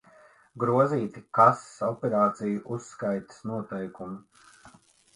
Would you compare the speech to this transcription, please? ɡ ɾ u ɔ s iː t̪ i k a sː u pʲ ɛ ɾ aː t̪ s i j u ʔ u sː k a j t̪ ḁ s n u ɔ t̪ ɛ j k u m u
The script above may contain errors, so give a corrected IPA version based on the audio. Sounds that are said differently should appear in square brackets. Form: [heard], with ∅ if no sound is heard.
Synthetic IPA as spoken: ɡ ɾ u ɔ [z] iː t̪ i k a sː [ɔ] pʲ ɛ ɾ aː t̪ s i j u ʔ u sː k a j t̪ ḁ s n u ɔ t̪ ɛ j k u m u